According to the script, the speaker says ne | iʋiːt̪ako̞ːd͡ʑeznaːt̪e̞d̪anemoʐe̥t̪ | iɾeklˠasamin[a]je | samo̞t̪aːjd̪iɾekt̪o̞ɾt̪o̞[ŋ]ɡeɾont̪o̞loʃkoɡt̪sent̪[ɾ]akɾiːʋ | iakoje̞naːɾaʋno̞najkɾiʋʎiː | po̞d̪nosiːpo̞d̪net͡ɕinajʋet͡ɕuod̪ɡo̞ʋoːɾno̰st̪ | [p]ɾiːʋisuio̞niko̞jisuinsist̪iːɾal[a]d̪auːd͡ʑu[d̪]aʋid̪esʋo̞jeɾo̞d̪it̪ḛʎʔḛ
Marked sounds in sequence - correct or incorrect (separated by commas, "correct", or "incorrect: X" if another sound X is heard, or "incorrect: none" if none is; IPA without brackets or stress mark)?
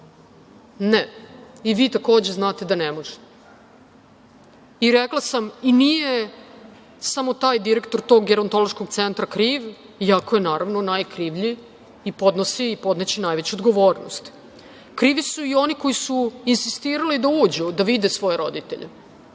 incorrect: i, incorrect: ɡ, correct, incorrect: k, incorrect: i, correct